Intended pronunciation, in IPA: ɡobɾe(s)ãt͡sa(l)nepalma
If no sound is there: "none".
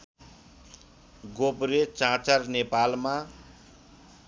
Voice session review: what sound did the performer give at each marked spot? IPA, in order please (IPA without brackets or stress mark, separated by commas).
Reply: t͡s, r